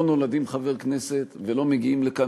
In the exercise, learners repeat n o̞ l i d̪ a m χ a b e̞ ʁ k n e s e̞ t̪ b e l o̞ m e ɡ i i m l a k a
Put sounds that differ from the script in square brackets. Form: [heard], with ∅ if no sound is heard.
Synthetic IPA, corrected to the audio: n o̞ l [a] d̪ [i] m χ a [v] e̞ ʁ k n e s e̞ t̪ [v] e l o̞ m e ɡ i i m l [e] k a